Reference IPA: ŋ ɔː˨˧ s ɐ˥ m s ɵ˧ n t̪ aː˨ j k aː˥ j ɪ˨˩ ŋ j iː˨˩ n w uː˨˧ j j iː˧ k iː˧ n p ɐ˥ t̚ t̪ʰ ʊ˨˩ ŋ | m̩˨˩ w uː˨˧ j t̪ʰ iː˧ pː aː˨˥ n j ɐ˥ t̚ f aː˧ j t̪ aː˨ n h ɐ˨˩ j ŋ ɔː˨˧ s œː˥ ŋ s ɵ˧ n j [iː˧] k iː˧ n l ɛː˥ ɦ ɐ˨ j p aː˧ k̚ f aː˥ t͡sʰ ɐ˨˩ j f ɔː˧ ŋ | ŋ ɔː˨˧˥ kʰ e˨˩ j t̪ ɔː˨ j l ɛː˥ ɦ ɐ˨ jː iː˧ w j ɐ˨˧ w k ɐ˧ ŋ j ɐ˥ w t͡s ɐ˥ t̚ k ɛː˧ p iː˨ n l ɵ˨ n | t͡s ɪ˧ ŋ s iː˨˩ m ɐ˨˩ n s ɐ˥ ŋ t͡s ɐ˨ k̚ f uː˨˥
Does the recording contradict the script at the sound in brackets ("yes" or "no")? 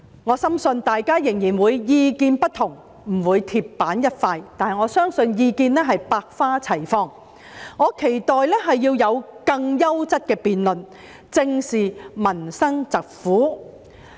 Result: no